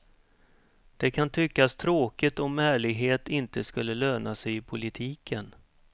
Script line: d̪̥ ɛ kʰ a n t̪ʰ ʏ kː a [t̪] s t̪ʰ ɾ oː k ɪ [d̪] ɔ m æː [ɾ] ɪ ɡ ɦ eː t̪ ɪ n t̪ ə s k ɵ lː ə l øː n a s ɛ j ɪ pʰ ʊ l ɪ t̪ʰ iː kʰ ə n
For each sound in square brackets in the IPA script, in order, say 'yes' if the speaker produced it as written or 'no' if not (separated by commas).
no, no, no